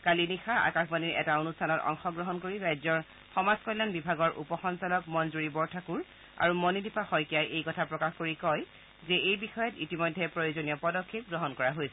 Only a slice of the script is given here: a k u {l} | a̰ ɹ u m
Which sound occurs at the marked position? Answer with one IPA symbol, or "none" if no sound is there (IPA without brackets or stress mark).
ɹ